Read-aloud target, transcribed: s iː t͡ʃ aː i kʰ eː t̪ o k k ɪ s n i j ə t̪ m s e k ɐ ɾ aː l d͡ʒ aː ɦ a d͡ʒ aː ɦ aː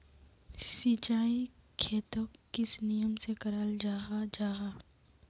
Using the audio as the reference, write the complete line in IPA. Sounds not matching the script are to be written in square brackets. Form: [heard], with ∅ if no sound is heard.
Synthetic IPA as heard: s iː t͡ʃ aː i kʰ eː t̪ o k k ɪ s n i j ə [∅] m s e k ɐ ɾ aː l d͡ʒ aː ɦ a d͡ʒ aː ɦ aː